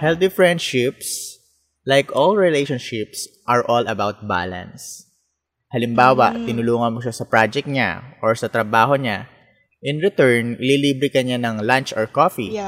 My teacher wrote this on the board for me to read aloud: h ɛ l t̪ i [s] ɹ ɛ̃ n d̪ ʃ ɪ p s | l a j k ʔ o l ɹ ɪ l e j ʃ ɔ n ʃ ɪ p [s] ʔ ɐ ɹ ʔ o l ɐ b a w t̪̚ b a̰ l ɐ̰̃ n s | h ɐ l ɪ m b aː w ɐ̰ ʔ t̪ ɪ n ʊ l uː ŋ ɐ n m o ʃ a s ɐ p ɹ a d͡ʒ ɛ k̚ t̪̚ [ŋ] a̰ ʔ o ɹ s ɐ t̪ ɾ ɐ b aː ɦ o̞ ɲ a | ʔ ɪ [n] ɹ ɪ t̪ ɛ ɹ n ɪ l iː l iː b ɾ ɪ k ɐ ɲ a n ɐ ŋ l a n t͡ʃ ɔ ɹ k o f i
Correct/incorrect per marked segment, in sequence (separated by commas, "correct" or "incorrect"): incorrect, correct, incorrect, correct